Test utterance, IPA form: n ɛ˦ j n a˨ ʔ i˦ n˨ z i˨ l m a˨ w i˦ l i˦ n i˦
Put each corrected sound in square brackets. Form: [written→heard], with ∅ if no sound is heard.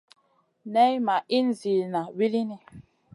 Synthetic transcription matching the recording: n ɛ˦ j [n→m] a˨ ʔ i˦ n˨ z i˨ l [m→n] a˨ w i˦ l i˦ n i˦